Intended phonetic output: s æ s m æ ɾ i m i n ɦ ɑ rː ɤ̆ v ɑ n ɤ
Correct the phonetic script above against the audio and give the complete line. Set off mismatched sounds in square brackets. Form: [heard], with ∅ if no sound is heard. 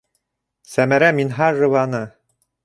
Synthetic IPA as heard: s æ [∅] m æ ɾ [æ] m i n ɦ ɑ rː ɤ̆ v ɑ n ɤ